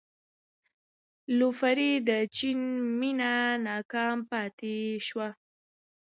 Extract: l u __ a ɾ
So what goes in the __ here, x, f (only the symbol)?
f